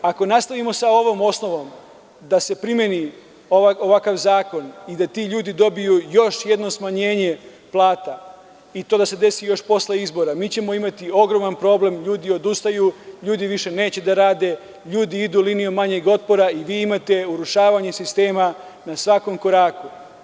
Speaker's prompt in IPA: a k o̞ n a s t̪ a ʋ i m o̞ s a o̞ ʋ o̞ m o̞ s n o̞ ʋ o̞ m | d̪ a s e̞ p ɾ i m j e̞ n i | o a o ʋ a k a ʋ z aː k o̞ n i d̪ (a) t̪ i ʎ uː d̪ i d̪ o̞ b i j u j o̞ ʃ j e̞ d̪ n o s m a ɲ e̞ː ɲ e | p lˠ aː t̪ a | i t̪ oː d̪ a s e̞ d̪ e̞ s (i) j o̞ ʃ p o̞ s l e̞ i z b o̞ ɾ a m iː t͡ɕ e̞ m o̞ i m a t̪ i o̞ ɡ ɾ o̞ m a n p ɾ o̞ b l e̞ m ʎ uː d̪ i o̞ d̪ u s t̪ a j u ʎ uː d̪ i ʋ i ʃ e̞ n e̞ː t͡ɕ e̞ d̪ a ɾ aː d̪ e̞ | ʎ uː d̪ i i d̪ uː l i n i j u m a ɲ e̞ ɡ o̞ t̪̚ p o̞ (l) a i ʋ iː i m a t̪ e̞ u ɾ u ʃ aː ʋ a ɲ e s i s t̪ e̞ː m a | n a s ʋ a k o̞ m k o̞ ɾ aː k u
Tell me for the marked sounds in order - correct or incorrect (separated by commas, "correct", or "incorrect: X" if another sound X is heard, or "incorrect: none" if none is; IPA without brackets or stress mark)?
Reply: correct, correct, incorrect: ɾ